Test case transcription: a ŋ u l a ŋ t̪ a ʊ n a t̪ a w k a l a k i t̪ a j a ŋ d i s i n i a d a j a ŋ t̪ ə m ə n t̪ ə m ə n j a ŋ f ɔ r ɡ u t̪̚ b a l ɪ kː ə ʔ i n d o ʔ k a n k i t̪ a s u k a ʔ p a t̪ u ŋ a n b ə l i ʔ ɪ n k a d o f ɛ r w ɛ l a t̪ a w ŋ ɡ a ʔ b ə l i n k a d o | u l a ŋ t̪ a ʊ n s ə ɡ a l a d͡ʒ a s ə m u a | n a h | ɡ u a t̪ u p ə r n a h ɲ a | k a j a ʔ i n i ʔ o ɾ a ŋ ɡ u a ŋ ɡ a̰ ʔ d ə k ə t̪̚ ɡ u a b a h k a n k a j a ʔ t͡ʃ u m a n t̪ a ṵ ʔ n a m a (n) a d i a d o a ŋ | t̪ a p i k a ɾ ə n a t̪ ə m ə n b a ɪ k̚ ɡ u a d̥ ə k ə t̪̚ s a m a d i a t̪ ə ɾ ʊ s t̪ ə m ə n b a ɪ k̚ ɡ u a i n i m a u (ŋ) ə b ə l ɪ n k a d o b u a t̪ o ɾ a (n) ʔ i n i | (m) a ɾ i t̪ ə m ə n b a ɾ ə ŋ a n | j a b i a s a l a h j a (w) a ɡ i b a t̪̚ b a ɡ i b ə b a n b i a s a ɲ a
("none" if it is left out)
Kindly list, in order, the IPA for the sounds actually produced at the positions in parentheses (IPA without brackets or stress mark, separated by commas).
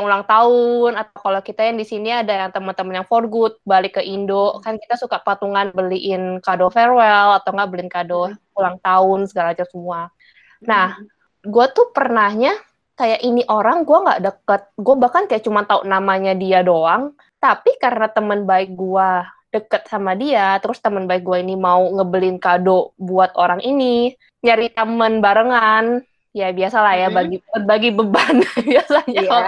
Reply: ɲ, ŋ, ŋ, ɲ, b